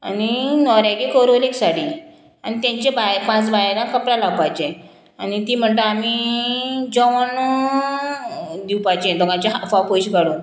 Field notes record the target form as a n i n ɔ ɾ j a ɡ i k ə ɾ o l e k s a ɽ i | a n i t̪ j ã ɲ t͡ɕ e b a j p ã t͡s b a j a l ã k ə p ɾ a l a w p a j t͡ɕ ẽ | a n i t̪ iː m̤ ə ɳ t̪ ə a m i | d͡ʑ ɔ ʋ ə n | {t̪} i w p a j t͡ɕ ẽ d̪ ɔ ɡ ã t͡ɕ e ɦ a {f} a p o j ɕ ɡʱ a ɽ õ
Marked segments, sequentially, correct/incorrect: incorrect, correct

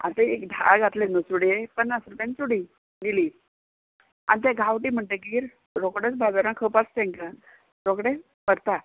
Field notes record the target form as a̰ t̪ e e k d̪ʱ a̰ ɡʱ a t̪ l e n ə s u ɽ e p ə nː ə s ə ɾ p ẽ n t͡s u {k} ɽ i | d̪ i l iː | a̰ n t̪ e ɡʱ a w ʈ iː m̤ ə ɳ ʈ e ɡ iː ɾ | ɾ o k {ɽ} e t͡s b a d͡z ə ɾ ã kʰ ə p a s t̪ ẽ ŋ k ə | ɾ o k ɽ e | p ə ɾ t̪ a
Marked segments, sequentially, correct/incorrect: incorrect, correct

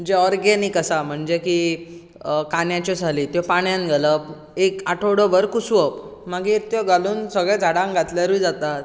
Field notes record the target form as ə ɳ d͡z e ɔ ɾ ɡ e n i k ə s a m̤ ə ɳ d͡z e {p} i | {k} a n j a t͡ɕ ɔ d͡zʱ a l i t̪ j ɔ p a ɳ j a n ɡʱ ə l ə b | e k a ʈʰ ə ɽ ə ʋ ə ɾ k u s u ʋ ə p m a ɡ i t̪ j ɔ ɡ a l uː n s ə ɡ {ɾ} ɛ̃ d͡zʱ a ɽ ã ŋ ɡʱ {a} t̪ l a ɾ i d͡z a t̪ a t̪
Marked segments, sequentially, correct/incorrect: incorrect, correct, incorrect, correct

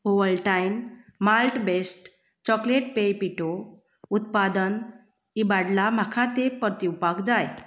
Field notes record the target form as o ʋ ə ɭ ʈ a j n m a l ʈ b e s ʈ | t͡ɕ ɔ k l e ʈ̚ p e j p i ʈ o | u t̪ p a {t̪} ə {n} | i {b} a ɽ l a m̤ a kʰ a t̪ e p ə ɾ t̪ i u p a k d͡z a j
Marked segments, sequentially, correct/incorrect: incorrect, correct, correct

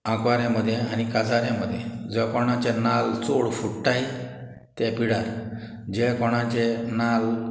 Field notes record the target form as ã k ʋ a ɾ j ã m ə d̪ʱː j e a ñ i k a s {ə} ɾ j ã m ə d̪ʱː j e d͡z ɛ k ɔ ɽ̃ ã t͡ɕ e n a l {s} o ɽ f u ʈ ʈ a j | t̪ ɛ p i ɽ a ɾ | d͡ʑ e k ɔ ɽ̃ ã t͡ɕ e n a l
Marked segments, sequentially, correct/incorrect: incorrect, incorrect

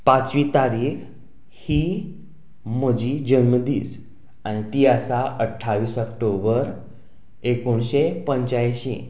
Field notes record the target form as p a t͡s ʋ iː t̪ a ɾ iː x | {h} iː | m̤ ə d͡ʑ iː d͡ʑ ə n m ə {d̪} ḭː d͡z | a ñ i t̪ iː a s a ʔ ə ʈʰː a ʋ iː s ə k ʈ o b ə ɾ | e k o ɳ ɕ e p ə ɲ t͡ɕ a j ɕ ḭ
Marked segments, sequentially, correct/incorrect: correct, correct

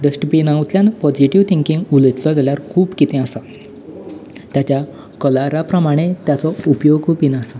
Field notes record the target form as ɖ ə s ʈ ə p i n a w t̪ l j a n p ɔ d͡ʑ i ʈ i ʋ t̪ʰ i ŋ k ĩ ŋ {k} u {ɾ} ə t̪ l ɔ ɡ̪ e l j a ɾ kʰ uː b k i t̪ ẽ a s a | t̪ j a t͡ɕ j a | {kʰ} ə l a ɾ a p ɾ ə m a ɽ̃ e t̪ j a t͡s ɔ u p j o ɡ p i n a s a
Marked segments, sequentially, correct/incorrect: incorrect, incorrect, incorrect

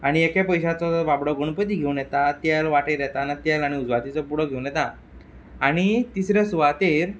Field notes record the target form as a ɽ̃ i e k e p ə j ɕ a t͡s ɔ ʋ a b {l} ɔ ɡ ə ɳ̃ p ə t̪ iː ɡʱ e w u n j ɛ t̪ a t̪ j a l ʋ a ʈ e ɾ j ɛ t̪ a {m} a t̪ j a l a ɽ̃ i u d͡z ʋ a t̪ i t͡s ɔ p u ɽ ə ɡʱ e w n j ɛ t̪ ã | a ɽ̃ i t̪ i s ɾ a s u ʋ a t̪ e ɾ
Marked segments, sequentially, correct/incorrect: incorrect, incorrect

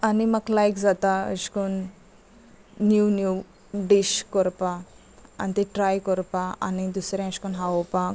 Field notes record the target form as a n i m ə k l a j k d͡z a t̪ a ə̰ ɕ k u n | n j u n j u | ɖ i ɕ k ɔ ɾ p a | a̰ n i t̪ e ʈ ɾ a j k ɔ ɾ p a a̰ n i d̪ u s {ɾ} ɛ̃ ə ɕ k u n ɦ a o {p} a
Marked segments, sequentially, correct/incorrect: correct, correct

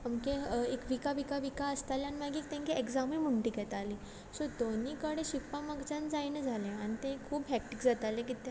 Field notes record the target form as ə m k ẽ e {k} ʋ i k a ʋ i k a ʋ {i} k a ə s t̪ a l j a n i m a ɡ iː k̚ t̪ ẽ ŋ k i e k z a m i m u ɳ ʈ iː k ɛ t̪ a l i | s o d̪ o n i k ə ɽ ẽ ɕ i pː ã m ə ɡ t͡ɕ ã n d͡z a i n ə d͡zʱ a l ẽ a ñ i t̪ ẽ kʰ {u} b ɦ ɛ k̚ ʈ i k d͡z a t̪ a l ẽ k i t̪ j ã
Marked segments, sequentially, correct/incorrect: correct, correct, incorrect

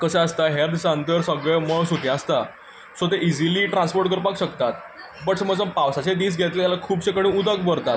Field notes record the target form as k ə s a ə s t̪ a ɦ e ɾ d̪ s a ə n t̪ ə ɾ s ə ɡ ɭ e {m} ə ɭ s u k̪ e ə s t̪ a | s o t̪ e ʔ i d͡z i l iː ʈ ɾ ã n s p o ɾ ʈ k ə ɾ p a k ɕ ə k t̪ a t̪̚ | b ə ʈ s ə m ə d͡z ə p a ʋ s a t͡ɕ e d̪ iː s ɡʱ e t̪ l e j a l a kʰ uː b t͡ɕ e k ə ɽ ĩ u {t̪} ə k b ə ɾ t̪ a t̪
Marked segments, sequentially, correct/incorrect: correct, incorrect

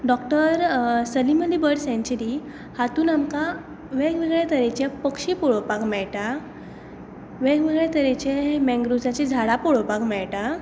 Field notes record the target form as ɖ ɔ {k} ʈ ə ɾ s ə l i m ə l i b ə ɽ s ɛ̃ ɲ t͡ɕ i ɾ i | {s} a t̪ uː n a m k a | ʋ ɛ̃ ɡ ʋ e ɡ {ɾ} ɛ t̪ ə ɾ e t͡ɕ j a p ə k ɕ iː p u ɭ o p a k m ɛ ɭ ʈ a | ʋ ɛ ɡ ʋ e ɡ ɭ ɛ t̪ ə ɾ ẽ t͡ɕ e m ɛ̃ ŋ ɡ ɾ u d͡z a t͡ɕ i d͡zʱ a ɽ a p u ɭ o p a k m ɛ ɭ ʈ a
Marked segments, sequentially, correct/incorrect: correct, incorrect, incorrect

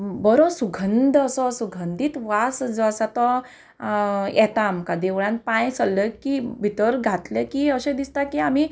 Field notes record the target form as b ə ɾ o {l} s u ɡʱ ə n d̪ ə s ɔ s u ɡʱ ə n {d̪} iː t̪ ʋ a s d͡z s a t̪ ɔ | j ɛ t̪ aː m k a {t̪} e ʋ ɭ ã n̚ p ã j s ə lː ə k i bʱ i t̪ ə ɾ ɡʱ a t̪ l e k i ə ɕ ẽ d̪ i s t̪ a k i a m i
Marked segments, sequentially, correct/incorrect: incorrect, correct, incorrect

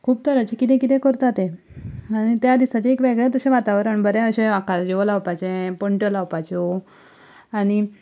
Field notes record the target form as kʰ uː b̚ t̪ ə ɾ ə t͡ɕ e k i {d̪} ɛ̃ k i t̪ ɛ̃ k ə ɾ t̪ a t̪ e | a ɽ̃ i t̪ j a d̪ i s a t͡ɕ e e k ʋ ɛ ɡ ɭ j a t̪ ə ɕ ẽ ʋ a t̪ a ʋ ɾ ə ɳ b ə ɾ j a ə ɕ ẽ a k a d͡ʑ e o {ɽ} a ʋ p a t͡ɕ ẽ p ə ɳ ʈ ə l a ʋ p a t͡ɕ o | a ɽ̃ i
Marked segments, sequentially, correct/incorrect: incorrect, incorrect

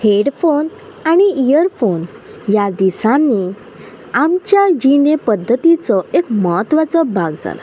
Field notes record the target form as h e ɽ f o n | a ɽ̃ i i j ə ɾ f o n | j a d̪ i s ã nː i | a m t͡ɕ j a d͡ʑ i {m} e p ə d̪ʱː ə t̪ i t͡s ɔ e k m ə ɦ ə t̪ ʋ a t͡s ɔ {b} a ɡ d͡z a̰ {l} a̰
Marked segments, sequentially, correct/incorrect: incorrect, correct, correct

